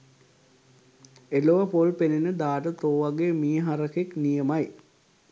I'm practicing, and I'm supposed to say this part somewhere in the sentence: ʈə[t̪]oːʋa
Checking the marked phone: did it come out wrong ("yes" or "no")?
no